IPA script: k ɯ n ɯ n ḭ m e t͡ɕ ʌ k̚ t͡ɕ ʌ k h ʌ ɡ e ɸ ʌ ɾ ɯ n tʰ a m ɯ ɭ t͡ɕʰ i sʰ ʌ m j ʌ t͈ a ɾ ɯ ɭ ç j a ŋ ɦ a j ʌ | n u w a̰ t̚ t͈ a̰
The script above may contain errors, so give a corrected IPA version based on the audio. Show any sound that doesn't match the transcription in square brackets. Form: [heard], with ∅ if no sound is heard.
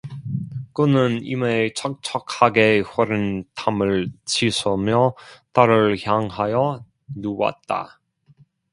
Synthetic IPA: k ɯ n ɯ n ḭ m e [t͡ɕʰ] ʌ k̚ [t͡ɕʰ] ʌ k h [a] ɡ e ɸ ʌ ɾ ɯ n tʰ a m ɯ ɭ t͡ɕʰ i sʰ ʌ m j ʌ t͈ a ɾ ɯ ɭ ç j a ŋ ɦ a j ʌ | n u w a̰ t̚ t͈ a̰